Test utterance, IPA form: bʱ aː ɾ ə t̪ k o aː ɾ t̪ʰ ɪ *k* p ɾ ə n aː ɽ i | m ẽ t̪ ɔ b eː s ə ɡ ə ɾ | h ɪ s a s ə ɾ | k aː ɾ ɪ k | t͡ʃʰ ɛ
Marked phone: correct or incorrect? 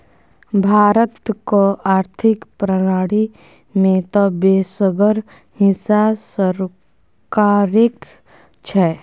correct